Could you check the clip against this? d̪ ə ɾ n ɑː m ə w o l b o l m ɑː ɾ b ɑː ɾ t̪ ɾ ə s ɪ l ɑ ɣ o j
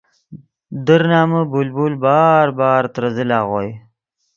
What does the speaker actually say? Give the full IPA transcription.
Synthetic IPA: d̪ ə ɾ n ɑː m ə b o l b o l b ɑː ɾ b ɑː ɾ t̪ ɾ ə z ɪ l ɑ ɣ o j